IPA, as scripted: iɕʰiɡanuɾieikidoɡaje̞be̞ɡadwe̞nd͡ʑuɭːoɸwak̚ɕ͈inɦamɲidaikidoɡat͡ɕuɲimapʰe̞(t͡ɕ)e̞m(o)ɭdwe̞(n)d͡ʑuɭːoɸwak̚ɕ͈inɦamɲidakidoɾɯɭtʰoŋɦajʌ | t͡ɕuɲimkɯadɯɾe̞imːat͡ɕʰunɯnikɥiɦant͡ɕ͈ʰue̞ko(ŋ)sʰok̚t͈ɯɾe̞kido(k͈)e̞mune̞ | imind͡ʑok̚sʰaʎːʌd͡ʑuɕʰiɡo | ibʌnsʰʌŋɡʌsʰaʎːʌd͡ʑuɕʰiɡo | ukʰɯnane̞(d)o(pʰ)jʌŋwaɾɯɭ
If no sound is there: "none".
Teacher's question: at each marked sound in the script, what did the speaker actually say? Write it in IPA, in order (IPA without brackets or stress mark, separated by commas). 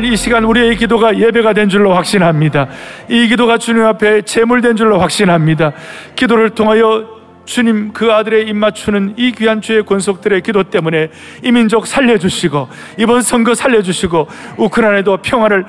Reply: t͡ɕ, u, n, n, t͈, d, pʰ